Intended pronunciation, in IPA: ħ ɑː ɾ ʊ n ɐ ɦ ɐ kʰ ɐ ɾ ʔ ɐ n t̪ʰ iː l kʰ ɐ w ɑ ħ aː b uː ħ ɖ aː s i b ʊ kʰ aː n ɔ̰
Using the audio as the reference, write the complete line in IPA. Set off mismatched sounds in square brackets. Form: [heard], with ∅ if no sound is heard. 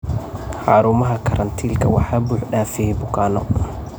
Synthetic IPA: ħ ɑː ɾ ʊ [m] ɐ ɦ ɐ kʰ ɐ ɾ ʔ ɐ n t̪ʰ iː l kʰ ɐ w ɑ ħ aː b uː ħ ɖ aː [f] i b ʊ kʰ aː n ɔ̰